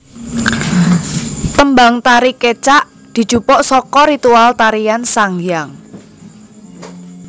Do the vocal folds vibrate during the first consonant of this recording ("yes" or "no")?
no